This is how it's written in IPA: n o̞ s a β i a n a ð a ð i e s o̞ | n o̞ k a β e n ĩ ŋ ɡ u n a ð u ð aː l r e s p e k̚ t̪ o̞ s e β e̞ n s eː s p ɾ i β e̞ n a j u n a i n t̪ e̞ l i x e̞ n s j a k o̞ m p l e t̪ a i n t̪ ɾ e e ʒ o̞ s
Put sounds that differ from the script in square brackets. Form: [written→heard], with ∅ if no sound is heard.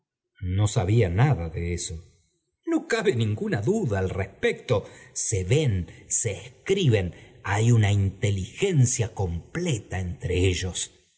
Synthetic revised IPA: n o̞ s a β i a n a ð a ð [i→e] e s o̞ | n o̞ k a β e n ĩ ŋ ɡ u n a ð u ð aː l r e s p e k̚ t̪ o̞ s e β e̞ n s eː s [p→k] ɾ i β e̞ n a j u n a i n t̪ e̞ l i x e̞ n s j a k o̞ m p l e t̪ a [i→e] n t̪ ɾ e e ʒ o̞ s